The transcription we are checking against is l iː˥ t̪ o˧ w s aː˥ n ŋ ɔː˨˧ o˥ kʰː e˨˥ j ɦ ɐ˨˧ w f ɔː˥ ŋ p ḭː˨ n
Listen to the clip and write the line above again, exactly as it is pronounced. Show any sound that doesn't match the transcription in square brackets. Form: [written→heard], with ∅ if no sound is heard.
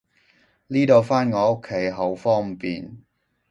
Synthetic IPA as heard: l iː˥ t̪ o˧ w [s→f] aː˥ n ŋ ɔː˨˧ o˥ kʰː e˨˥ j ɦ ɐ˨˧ w f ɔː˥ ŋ p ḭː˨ n